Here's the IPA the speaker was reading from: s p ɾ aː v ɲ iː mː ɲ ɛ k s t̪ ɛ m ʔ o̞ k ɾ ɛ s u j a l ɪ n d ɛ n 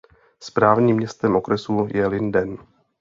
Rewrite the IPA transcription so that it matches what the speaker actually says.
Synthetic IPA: s p ɾ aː v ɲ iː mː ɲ ɛ s t̪ ɛ m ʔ o̞ k ɾ ɛ s u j ɛ l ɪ n d ɛ n